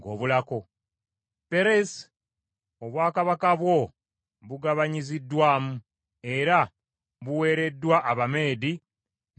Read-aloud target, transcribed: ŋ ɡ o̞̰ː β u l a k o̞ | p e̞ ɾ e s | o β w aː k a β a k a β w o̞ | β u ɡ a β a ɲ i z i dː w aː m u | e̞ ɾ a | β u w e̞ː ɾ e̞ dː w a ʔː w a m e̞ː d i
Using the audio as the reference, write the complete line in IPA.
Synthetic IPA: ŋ ɡ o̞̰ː β u l a k o̞ | p e̞ ɾ e s | o β w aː k a β a k a β w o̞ | β u ɡ a β a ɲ i z i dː w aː m u | e̞ ɾ a | β u w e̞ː ɾ e̞ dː w a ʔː β a m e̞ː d i